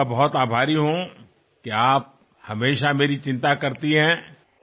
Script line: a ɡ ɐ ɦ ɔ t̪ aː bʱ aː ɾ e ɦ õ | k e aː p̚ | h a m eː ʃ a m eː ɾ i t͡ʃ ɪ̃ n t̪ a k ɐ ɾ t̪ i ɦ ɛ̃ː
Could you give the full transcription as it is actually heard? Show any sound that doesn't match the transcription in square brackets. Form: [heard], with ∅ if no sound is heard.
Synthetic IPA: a [b] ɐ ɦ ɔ t̪ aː bʱ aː ɾ [i] ɦ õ | k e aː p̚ | h [ɐ] m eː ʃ a m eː ɾ i t͡ʃ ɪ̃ n t̪ a k ɐ ɾ t̪ i ɦ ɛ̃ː

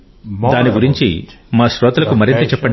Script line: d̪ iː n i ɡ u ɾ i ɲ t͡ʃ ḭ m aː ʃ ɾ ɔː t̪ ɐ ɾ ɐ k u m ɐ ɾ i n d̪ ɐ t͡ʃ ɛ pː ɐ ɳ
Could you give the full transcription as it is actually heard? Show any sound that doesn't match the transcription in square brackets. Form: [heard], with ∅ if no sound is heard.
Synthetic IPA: d̪ [aː] n i ɡ u ɾ i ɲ t͡ʃ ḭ m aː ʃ ɾ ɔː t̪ ɐ [l] ɐ k u m ɐ ɾ i n [t̪] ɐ t͡ʃ ɛ pː ɐ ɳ

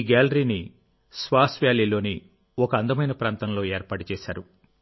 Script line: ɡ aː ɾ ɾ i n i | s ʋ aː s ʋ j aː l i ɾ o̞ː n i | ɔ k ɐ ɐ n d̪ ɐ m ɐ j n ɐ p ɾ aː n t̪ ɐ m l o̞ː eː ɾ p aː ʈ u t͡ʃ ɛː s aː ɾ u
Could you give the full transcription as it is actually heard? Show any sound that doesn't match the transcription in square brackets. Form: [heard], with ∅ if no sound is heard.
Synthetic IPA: ɡ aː [l] ɾ i n i | s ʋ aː s ʋ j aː l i [l] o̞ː n i | ɔ k ɐ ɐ n d̪ ɐ m ɐ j n ɐ p ɾ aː n t̪ ɐ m l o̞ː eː ɾ p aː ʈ u t͡ʃ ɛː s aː ɾ u

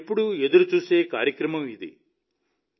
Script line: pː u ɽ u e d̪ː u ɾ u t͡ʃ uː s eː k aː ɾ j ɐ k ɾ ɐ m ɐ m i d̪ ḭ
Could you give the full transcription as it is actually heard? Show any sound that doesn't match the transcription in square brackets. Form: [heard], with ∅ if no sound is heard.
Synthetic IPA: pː u ɽ u e [d̪] u ɾ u t͡ʃ uː s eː k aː ɾ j ɐ k ɾ ɐ m ɐ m i d̪ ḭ

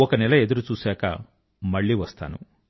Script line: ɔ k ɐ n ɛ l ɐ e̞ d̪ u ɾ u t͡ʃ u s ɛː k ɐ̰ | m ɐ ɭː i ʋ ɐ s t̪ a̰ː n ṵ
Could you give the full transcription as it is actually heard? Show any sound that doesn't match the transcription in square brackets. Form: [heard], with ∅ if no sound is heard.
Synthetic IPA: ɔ k ɐ n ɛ l ɐ e̞ d̪ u ɾ u t͡ʃ [uː] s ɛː k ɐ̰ | m ɐ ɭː i ʋ ɐ s t̪ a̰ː n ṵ

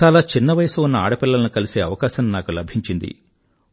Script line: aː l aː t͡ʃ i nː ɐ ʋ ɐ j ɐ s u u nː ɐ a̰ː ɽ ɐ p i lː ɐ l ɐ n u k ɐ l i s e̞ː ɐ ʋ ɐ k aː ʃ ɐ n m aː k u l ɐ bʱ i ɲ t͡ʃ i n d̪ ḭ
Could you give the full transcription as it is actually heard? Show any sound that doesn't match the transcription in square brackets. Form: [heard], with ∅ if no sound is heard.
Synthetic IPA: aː l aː t͡ʃ i nː ɐ ʋ ɐ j ɐ s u u nː ɐ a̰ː ɽ ɐ p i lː ɐ l ɐ n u k ɐ l i s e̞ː ɐ ʋ ɐ k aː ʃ ɐ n [n] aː k u l ɐ bʱ i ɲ t͡ʃ i n d̪ ḭ

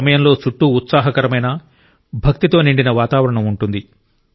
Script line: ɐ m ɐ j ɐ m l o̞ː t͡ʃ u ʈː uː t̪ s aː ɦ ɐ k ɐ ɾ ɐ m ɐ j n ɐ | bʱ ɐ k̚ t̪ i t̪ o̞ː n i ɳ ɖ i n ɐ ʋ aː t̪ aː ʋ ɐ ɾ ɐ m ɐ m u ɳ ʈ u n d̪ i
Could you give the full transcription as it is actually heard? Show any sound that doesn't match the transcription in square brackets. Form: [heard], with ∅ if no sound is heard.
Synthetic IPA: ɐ m ɐ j ɐ m l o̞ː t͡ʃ u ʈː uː t̪ s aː ɦ ɐ k ɐ ɾ ɐ m ɐ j n ɐ | bʱ ɐ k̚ t̪ i t̪ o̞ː n i ɳ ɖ i n ɐ ʋ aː t̪ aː ʋ ɐ ɾ ɐ [ɳ] ɐ m u ɳ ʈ u n d̪ i

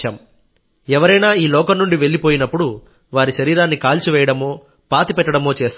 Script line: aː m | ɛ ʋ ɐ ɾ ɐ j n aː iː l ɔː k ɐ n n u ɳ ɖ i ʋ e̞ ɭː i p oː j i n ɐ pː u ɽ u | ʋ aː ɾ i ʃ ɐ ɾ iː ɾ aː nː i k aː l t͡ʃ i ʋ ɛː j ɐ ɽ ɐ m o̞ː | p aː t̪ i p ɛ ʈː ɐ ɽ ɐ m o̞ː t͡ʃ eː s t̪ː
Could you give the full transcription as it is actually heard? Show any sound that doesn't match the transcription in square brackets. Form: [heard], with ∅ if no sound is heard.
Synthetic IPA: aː m | ɛ ʋ ɐ ɾ ɐ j n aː iː l ɔː k ɐ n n u ɳ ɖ i ʋ e̞ ɭː i p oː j i n ɐ pː u ɽ u | ʋ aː ɾ i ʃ ɐ ɾ iː ɾ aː nː i k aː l t͡ʃ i ʋ ɛː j ɐ ɽ ɐ m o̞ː | p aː t̪ i p ɛ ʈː ɐ ɽ ɐ m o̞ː t͡ʃ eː s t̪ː

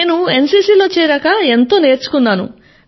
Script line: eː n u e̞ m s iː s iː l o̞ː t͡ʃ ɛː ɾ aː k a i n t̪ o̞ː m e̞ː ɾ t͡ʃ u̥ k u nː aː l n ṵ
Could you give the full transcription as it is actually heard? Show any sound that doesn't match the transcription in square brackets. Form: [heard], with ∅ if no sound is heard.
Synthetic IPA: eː n u e̞ [n] s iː s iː l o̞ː t͡ʃ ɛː ɾ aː k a [e] n t̪ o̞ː [n] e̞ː ɾ t͡ʃ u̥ k u nː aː [∅] n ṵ

